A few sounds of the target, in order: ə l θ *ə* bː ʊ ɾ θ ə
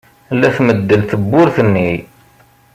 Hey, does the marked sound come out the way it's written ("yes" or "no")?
yes